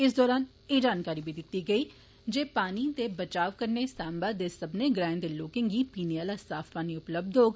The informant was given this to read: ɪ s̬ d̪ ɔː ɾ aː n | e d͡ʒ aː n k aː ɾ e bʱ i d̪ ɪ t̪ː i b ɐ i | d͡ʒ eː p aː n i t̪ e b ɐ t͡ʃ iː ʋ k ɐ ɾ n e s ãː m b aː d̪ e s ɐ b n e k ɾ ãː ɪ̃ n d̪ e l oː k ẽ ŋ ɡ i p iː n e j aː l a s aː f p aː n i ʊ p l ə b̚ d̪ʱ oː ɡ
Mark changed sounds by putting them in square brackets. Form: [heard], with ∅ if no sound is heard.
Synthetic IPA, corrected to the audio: ɪ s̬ d̪ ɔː ɾ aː n | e d͡ʒ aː n k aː ɾ [i] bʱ i d̪ ɪ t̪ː i [ɡ] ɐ i | d͡ʒ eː p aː n i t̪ e b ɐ t͡ʃ [aː] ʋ k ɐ ɾ n e s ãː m b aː d̪ e s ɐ b n e [ɡ] ɾ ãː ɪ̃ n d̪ e l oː k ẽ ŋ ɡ i p iː n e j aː l a s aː f p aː n i ʊ p l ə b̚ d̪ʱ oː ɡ